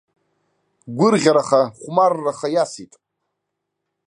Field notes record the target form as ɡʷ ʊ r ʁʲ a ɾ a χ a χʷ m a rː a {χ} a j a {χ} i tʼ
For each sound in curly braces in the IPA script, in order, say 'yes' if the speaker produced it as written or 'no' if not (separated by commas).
yes, no